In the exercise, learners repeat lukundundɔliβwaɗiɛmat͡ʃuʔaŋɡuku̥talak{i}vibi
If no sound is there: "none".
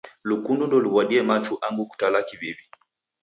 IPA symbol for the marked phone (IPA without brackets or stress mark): i